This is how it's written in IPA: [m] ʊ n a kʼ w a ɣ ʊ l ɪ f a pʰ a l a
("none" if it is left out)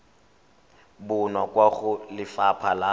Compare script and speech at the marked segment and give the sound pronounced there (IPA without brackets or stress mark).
b